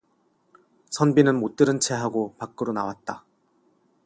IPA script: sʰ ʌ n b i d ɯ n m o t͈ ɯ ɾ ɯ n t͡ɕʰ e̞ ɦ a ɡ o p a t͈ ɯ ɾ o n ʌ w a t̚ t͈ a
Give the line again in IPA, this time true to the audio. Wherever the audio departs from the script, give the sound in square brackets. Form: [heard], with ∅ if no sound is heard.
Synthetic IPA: sʰ ʌ n b i [n] ɯ n m o t͈ ɯ ɾ ɯ n t͡ɕʰ e̞ ɦ a ɡ o p a [k͈] ɯ ɾ o n [a] w a t̚ t͈ a